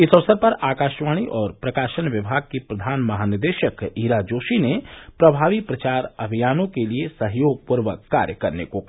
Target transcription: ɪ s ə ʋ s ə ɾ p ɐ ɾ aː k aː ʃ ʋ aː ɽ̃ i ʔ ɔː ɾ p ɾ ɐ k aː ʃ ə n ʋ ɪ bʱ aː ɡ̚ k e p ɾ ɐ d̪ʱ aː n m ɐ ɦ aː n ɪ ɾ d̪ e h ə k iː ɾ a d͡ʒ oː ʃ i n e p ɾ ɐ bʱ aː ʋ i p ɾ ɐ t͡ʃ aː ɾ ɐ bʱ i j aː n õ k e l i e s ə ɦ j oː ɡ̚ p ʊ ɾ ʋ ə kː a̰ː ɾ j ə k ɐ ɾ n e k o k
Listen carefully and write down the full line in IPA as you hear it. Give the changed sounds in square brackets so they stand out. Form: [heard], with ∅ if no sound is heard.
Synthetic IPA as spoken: ɪ s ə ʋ s ə ɾ p ɐ ɾ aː k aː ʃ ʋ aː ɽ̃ i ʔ ɔː ɾ p ɾ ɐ k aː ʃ ə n ʋ ɪ bʱ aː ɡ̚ k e p ɾ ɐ d̪ʱ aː n m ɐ ɦ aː n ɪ ɾ d̪ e [ʃ] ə k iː ɾ a d͡ʒ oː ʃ i n e p ɾ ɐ bʱ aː ʋ i p ɾ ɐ t͡ʃ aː ɾ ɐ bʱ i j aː n õ k e l i e s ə ɦ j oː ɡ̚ p ʊ ɾ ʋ ə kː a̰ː ɾ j ə k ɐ ɾ n e k o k